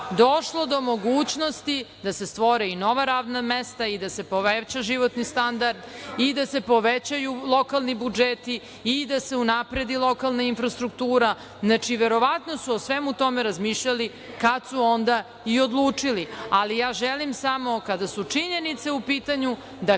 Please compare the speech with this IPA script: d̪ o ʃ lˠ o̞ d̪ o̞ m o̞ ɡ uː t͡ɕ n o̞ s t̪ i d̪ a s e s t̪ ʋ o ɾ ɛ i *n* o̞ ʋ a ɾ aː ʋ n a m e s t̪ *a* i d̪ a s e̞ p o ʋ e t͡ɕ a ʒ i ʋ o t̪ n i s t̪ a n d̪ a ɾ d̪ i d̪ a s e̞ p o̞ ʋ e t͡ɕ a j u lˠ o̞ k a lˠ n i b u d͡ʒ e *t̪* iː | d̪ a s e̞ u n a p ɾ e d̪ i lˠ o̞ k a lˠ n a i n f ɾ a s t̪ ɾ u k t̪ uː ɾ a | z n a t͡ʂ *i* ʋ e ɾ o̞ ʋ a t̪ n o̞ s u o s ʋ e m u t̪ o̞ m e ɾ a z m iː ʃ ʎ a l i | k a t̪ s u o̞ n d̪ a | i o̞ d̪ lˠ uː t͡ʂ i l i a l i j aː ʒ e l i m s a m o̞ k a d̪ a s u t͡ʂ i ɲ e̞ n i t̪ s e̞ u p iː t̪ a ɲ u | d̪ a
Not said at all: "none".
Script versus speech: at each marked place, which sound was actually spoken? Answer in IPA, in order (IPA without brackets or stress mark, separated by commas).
n, a, t̪, i